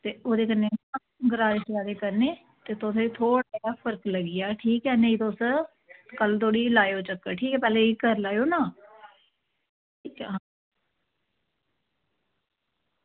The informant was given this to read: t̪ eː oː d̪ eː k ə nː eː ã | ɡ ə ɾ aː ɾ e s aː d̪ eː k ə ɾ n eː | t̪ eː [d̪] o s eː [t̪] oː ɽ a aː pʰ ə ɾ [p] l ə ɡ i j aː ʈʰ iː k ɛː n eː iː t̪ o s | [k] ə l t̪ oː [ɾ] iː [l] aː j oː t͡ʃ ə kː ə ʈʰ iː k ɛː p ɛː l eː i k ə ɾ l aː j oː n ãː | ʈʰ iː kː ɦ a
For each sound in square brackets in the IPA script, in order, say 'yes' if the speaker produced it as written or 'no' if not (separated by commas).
no, no, no, yes, no, yes